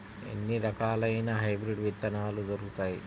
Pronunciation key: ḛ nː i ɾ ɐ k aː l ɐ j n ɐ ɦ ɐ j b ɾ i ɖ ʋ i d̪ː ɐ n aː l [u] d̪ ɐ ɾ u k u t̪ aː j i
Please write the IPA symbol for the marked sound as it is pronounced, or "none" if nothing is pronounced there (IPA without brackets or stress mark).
u